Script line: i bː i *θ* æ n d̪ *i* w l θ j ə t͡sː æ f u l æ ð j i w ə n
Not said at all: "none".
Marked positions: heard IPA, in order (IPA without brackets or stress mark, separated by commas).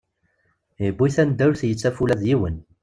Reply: θ, æ